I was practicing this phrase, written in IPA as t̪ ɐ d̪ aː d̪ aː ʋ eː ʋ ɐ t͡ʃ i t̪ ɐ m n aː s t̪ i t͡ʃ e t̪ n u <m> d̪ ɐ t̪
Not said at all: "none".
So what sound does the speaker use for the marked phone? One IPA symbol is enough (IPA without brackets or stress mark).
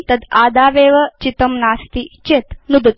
none